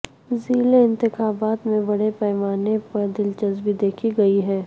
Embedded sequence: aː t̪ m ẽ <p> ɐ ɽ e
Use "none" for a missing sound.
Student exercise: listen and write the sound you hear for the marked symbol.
b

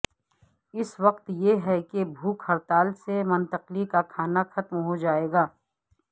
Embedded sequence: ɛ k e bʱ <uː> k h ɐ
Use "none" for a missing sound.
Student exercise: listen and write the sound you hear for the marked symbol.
uː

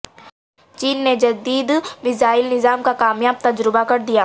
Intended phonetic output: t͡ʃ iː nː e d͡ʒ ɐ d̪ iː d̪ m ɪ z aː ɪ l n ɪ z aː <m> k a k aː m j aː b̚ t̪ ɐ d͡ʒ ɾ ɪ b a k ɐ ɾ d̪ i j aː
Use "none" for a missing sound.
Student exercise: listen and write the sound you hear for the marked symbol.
m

